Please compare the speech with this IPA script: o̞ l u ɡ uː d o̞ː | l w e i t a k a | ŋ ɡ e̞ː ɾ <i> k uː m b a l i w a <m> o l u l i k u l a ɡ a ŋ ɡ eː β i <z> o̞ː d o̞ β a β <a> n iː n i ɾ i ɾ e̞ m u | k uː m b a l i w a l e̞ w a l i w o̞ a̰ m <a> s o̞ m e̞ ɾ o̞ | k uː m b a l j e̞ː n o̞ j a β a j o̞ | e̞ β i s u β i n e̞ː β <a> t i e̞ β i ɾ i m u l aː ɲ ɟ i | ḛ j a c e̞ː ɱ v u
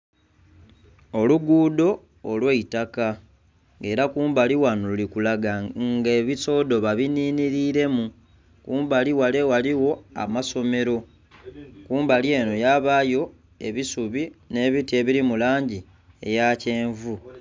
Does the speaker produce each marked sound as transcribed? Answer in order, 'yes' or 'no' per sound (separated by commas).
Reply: no, no, no, no, yes, no